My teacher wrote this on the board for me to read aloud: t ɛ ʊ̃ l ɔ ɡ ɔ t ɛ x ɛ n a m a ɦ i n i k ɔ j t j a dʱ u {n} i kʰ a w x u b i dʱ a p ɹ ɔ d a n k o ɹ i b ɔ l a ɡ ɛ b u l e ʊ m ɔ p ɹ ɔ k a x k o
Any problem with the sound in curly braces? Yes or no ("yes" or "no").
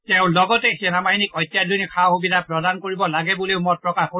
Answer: no